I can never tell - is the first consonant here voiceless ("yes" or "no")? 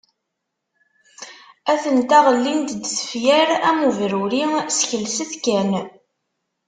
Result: yes